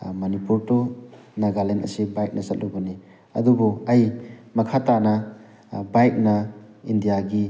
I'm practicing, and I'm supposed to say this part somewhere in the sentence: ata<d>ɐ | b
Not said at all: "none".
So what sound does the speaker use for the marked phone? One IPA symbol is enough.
n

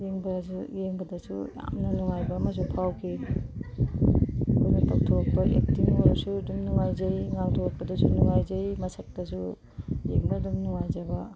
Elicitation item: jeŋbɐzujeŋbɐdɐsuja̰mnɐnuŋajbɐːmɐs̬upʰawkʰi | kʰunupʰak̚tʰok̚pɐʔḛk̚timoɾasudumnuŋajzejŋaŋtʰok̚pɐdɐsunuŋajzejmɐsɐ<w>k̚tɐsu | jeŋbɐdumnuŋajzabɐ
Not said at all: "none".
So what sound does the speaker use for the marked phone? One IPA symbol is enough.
none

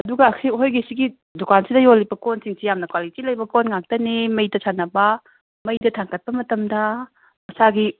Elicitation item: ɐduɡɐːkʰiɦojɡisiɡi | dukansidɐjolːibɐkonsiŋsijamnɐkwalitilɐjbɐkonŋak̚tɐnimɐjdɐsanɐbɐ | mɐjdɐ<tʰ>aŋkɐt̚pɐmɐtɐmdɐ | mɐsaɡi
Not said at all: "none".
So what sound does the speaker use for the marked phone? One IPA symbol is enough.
tʰ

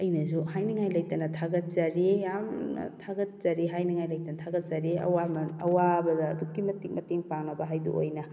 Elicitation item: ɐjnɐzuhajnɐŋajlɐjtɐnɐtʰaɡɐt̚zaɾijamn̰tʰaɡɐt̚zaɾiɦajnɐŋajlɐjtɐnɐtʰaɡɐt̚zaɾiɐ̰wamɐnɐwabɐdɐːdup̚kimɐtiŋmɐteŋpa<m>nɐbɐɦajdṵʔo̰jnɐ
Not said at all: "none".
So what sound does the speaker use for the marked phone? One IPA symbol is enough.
ŋ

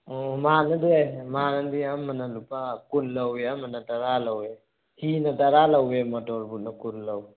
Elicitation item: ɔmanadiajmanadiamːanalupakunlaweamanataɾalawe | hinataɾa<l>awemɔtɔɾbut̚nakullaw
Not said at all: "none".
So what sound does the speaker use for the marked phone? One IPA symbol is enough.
l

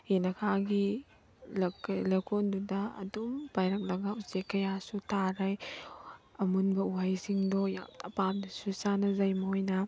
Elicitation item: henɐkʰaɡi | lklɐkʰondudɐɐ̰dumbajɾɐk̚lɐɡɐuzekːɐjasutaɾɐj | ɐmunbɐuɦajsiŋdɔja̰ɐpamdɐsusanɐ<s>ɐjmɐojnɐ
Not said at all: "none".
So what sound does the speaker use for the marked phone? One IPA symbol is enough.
z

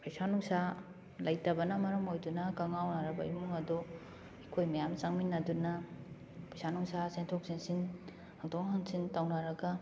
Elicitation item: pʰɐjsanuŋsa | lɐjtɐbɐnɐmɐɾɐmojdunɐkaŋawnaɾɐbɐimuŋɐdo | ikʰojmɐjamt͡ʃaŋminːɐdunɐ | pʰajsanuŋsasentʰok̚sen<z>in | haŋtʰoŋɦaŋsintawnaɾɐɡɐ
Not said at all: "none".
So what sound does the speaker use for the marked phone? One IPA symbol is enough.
s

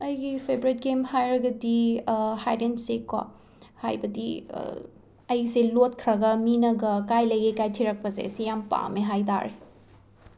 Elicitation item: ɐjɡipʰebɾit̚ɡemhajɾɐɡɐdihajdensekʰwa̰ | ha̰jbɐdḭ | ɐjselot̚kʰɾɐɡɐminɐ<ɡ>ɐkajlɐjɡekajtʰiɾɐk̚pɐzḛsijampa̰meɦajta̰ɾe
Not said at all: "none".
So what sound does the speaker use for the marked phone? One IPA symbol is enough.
ɡ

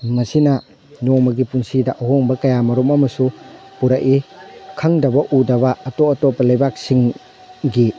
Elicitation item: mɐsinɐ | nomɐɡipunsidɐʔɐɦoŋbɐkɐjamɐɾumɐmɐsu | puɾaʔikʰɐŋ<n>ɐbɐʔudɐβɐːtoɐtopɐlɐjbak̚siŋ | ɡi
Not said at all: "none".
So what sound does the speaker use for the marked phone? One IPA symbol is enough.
d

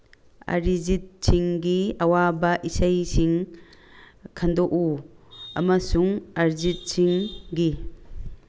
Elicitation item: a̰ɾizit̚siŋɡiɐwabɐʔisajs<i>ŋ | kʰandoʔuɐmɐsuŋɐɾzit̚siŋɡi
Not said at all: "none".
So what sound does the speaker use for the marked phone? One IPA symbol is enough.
i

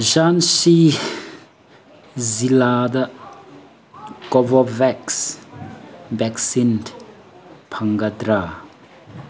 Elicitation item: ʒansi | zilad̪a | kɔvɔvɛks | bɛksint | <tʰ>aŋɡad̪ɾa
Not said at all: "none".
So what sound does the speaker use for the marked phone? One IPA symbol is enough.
pʰ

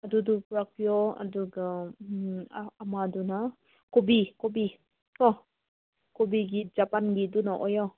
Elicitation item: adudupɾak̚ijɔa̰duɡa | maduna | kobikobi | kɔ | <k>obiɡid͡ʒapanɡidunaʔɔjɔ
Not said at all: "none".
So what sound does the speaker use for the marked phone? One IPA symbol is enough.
k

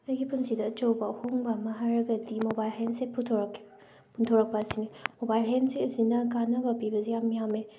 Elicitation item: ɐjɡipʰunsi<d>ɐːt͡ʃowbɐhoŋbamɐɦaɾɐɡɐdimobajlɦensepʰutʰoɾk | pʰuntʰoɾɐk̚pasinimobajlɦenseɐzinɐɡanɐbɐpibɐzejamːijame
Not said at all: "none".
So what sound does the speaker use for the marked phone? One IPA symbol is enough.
d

